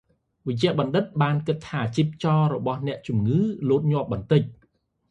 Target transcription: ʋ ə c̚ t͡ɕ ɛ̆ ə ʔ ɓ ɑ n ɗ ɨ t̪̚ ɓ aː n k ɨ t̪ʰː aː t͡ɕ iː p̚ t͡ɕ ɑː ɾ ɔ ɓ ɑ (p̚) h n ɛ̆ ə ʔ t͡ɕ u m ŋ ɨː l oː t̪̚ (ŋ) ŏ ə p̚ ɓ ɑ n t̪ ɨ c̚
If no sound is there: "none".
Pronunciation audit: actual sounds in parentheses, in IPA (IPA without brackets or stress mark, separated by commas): none, ɲ